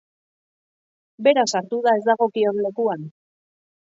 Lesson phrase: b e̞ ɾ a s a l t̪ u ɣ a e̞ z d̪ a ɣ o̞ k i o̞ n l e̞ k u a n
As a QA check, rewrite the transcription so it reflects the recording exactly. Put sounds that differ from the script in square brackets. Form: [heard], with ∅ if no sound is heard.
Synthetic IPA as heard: b e̞ ɾ a s a [ɾ] t̪ u [ð] a e̞ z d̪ a ɣ o̞ k i o̞ n l e̞ k u a n